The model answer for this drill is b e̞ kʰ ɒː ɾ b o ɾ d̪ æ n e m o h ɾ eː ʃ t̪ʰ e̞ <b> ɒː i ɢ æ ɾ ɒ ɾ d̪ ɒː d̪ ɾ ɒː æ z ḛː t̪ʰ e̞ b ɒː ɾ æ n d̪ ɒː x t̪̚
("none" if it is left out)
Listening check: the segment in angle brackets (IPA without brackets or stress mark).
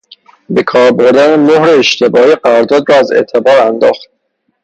b